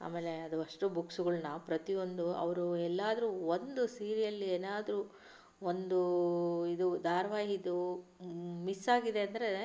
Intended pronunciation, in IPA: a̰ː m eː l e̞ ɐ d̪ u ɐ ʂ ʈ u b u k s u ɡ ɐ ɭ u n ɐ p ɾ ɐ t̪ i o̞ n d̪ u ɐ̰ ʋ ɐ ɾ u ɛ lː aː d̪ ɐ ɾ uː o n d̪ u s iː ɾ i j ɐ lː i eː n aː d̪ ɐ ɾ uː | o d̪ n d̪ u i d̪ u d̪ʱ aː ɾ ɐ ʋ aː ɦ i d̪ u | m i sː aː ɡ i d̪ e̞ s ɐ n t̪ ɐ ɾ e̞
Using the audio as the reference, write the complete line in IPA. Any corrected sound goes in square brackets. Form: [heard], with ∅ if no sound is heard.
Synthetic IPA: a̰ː m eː l e̞ ɐ d̪ u ɐ ʂ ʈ u b u k s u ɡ ɐ ɭ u n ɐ p ɾ ɐ t̪ i o̞ n d̪ u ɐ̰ ʋ ɐ ɾ u ɛ lː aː d̪ ɐ ɾ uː o n d̪ u s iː ɾ i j ɐ lː i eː n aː d̪ ɐ ɾ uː | o [∅] n d̪ u i d̪ u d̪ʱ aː ɾ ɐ ʋ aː ɦ i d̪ u | m i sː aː ɡ i d̪ e̞ [∅] ɐ n [d̪] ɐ ɾ e̞